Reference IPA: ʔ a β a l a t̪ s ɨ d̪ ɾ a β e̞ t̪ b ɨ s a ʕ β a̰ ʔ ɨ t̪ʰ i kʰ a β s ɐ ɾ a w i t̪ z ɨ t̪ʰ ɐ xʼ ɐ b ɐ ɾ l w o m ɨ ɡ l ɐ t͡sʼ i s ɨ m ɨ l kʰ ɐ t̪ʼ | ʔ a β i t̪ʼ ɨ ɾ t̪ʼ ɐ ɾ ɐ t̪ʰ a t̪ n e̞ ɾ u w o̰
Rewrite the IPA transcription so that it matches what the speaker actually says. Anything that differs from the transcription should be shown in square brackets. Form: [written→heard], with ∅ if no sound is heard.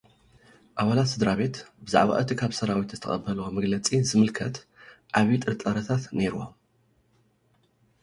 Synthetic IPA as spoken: ʔ a β a l a t̪ s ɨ d̪ ɾ a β e̞ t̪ b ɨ [s→z] a ʕ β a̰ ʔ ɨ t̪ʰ i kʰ a β s ɐ ɾ a w i t̪ z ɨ t̪ʰ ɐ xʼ ɐ b ɐ [ɾ→∅] l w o m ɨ ɡ l ɐ t͡sʼ i [s→z] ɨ m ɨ l kʰ ɐ [t̪ʼ→t̪] | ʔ a β i t̪ʼ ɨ ɾ t̪ʼ ɐ ɾ ɐ t̪ʰ a t̪ n e̞ ɾ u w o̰